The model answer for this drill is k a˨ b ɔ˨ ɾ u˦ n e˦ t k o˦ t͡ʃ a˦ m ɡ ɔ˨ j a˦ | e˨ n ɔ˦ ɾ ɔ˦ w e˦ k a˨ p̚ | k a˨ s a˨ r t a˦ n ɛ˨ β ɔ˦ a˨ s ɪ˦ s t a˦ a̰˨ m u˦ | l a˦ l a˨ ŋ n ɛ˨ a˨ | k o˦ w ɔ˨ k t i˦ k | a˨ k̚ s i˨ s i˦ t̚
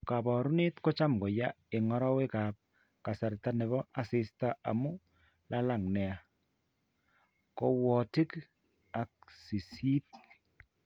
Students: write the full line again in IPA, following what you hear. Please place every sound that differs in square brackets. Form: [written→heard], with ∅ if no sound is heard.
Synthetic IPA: k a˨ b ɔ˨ ɾ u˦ n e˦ t k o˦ t͡ʃ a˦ m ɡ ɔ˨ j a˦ | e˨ [n→ŋ] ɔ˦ ɾ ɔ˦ w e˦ k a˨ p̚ | k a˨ s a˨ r t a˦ n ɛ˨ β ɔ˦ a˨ s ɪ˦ s t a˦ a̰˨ m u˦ | l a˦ l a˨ ŋ n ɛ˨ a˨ | k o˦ w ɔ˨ [k→∅] t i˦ k | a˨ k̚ s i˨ s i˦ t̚